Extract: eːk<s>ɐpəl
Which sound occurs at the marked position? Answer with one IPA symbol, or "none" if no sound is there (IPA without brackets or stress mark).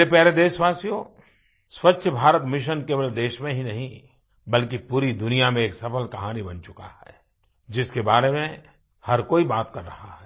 s